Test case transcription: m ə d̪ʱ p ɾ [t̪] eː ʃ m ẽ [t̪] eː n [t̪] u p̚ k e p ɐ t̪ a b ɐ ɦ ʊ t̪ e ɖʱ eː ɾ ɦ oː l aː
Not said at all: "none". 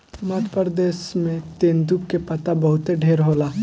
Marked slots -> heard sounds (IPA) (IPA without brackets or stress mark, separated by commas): d̪, t̪, d̪